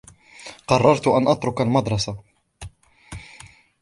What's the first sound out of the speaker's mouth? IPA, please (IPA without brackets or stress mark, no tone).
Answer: q